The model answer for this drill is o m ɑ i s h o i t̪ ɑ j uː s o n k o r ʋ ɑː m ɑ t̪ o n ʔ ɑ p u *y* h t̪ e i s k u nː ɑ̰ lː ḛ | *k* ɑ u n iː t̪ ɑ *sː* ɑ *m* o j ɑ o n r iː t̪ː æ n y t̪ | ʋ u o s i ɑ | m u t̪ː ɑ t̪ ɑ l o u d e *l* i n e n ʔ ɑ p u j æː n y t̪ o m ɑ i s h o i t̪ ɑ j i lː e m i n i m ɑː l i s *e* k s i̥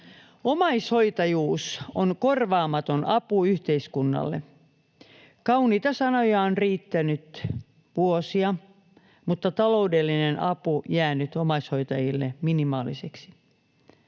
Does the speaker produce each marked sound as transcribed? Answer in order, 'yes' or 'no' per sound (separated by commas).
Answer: yes, yes, no, no, no, yes